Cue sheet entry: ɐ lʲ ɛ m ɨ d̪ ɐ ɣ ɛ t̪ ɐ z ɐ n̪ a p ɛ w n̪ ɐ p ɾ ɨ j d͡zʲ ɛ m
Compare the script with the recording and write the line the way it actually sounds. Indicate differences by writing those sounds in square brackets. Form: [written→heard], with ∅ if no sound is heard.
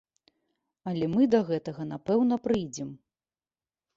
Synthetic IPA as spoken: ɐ lʲ ɛ m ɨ d̪ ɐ ɣ ɛ t̪ ɐ [z→ɣ] ɐ n̪ a p ɛ w n̪ ɐ p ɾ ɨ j d͡zʲ ɛ m